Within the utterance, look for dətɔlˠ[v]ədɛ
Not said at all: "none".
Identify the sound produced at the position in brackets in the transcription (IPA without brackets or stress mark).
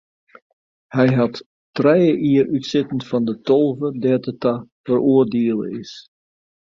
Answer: v